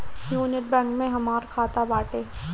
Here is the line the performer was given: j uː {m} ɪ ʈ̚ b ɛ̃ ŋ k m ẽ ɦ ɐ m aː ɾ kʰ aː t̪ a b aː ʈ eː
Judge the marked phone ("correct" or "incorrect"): incorrect